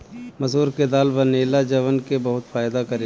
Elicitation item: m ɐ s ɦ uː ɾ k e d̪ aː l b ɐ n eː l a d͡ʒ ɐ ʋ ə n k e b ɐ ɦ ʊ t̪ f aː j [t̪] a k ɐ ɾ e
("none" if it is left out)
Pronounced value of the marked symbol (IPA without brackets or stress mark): d̪